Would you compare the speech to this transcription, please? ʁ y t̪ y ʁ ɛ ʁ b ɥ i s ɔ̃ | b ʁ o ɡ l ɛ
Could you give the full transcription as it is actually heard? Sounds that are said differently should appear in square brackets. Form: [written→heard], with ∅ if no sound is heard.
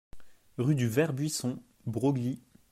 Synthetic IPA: ʁ y [t̪→d̪] y [ʁ→v] ɛ ʁ b ɥ i s ɔ̃ | b ʁ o ɡ l [ɛ→i]